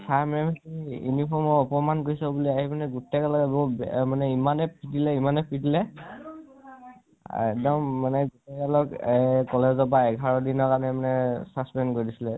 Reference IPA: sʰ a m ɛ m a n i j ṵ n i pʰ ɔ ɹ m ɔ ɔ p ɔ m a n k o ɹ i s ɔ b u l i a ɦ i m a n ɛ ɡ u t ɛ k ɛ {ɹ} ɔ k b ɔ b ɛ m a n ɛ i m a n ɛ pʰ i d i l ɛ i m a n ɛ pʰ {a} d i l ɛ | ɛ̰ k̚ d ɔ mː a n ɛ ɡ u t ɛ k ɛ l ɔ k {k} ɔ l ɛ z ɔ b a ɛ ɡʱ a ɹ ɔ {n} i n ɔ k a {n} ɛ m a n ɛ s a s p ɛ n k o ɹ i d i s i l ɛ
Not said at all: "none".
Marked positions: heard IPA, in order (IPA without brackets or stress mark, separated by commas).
l, i, k, d, n